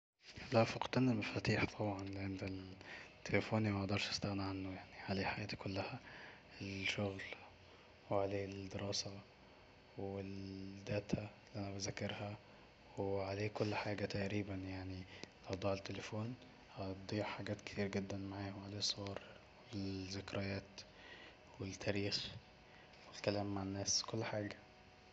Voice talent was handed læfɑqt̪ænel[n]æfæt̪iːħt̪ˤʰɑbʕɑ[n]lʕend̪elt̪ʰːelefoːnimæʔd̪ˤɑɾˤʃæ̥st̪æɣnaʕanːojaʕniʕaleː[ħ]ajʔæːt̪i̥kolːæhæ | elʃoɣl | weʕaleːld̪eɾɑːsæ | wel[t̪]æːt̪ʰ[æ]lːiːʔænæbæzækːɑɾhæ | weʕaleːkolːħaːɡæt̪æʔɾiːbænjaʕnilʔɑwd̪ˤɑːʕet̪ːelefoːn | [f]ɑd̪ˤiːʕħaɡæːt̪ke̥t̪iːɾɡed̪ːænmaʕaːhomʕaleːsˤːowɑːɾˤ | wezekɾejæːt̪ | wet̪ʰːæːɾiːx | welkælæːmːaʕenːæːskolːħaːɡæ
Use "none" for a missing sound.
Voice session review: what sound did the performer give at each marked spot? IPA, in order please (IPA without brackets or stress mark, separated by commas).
m, n, ħ, d̪, æ, h